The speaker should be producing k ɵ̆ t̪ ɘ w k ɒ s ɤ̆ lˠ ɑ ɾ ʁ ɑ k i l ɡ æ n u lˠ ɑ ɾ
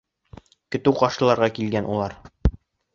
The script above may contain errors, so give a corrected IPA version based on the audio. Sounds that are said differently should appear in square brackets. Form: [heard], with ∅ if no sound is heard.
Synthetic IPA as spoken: k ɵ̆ t̪ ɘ w [q] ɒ [ʃ] ɤ̆ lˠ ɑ ɾ ʁ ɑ k i l ɡ æ n u lˠ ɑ ɾ